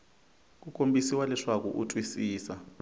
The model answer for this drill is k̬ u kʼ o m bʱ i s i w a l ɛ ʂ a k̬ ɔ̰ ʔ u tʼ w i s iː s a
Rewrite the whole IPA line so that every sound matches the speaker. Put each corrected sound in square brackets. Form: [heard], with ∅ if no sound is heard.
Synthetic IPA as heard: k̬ u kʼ o m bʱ i s i w a l ɛ ʂ a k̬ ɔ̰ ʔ u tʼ w i s iː s a